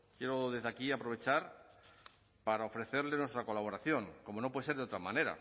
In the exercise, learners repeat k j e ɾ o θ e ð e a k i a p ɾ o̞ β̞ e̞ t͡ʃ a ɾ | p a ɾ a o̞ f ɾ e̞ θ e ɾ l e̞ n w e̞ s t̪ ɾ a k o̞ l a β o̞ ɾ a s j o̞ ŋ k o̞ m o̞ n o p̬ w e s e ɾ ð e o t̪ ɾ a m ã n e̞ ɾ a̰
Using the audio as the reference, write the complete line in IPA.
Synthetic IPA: k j e ɾ o ð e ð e a k i a p ɾ o̞ β̞ e̞ t͡ʃ a ɾ | p a ɾ a o̞ f ɾ e̞ θ e ɾ l e̞ n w e̞ s t̪ ɾ a k o̞ l a β o̞ ɾ a θ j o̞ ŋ k o̞ m o̞ n o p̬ w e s e ɾ ð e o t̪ ɾ a m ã n e̞ ɾ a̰